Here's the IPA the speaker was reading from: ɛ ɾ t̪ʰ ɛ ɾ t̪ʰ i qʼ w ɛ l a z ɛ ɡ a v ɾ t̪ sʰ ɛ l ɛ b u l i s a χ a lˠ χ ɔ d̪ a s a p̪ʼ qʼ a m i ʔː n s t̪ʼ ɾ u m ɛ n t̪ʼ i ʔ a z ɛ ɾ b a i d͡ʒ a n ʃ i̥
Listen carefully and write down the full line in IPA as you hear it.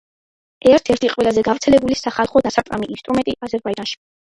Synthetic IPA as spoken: ɛ ɾ t̪ʰ ɛ ɾ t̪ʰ i qʼ w ɛ l a z ɛ ɡ a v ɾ t̪ sʰ ɛ l ɛ b u l i s a χ a lˠ χ ɔ d̪ a s a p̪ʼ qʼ a m i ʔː n s t̪ʼ ɾ u m ɛ n t̪ʼ i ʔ a z ɛ ɾ b a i d͡ʒ a n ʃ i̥